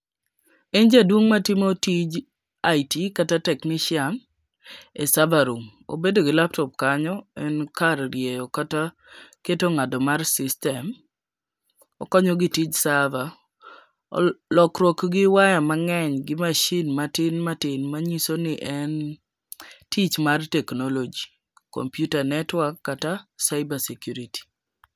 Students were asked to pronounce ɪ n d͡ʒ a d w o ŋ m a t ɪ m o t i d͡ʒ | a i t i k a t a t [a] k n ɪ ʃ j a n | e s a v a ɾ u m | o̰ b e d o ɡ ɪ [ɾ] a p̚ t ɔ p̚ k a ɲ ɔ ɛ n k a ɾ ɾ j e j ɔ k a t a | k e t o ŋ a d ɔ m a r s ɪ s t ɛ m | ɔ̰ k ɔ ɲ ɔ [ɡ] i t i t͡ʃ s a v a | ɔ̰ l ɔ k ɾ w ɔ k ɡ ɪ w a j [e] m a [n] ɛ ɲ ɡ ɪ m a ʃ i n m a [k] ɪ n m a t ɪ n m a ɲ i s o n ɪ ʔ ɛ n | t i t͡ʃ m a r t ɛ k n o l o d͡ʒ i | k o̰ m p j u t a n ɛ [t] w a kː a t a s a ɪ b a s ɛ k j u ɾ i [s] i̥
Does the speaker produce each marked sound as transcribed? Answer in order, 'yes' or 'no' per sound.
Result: no, no, yes, no, no, no, yes, no

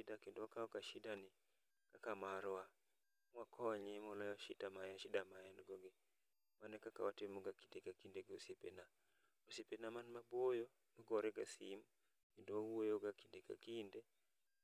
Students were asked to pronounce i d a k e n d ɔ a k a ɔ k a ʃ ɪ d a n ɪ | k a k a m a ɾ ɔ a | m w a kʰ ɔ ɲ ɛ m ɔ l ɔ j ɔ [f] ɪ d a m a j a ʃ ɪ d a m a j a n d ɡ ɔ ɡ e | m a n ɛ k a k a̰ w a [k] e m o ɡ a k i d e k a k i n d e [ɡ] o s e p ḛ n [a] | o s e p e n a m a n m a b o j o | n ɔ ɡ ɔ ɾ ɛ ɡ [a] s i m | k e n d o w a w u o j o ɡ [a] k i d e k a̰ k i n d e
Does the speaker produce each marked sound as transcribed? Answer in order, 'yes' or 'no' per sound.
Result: no, no, yes, yes, yes, yes

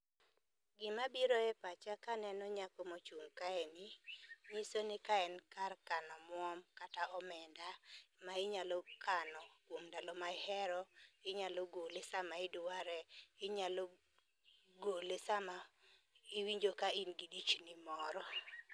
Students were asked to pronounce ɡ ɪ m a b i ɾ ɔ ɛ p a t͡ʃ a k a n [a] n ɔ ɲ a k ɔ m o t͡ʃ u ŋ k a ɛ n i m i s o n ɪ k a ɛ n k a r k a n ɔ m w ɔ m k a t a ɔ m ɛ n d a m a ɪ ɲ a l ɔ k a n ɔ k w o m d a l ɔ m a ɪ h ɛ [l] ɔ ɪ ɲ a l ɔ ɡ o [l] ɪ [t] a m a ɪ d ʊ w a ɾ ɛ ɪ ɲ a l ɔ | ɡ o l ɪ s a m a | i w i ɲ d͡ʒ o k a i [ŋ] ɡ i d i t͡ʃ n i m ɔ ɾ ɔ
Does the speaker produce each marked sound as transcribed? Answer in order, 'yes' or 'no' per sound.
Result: no, no, yes, no, no

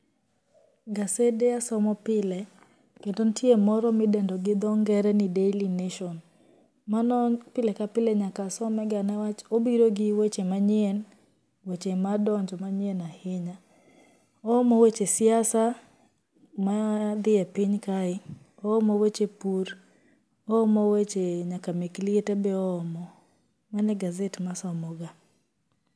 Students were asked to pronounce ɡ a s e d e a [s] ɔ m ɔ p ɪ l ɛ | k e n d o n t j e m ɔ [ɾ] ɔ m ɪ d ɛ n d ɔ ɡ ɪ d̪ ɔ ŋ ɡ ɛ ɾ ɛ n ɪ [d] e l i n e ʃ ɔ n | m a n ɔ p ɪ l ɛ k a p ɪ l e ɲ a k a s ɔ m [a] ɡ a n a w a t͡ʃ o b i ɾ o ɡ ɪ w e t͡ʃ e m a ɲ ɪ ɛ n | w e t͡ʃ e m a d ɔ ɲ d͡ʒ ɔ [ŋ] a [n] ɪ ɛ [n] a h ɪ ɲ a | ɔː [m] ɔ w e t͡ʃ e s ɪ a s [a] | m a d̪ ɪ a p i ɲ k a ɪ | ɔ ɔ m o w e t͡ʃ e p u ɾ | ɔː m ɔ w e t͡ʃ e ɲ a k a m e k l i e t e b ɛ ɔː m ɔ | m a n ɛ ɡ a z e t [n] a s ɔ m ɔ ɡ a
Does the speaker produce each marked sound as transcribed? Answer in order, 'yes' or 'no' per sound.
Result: yes, yes, yes, no, no, no, yes, yes, yes, no

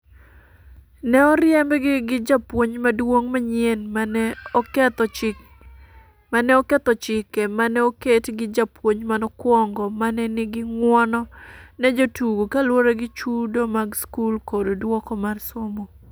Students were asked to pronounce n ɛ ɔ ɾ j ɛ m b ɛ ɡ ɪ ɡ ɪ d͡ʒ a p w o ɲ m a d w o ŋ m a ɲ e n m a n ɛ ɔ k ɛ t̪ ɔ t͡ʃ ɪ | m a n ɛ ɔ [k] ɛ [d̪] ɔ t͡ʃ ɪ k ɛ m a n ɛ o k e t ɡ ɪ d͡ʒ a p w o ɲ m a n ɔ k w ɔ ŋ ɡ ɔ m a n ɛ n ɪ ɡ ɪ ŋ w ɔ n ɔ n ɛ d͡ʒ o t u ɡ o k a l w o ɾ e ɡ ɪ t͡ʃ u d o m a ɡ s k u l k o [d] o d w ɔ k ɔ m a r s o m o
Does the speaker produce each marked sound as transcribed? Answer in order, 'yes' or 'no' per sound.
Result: yes, no, yes

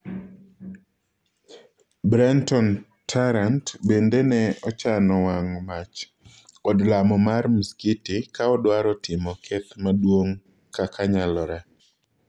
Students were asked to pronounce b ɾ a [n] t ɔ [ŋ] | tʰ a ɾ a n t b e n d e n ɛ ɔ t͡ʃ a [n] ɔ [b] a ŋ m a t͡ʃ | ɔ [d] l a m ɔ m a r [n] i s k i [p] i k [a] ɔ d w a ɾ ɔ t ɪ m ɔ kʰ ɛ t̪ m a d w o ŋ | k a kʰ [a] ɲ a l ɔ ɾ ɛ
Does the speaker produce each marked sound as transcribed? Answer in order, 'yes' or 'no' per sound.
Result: yes, no, yes, no, yes, no, no, yes, yes

